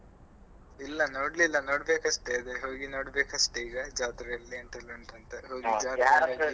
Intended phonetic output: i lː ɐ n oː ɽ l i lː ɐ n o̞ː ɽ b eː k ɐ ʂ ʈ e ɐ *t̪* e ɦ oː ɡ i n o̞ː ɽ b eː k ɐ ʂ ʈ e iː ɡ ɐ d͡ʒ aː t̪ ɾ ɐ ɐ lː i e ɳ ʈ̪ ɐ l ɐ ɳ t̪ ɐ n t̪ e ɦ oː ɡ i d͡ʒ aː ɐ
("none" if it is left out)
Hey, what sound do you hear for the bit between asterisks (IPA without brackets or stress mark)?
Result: d̪